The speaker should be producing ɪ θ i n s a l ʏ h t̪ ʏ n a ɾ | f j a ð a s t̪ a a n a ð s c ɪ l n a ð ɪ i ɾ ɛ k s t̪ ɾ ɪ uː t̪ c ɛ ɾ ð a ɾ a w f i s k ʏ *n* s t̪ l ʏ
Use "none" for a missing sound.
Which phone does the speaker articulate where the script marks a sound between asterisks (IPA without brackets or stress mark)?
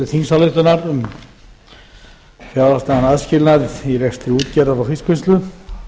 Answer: n